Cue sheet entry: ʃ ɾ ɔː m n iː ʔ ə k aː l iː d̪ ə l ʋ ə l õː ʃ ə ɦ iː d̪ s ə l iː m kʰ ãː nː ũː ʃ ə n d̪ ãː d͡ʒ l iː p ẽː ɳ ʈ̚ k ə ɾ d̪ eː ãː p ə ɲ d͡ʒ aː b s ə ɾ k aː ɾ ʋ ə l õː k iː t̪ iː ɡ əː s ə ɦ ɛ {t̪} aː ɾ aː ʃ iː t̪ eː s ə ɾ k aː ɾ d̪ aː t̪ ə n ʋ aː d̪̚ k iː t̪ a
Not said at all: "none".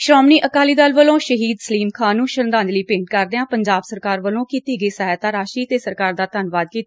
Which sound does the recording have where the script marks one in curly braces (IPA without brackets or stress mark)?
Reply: t̪